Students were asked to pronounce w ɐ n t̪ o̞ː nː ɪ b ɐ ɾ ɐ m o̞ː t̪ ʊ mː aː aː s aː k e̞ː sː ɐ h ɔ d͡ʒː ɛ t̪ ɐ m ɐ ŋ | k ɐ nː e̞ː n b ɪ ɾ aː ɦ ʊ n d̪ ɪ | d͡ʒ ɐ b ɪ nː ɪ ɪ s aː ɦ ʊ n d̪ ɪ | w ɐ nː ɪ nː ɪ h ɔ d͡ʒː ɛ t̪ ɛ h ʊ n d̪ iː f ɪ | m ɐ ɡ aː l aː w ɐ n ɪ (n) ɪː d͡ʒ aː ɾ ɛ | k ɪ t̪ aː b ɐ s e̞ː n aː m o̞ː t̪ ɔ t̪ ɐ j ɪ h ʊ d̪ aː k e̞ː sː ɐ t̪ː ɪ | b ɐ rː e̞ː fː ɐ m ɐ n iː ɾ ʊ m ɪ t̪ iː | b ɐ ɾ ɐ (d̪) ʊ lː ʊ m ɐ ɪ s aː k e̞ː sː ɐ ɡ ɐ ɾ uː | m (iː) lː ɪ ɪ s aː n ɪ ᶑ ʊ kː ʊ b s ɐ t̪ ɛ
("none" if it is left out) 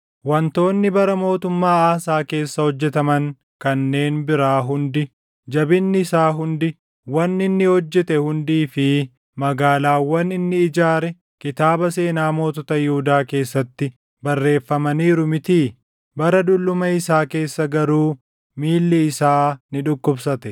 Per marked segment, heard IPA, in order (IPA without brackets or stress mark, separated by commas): nː, d̪, iː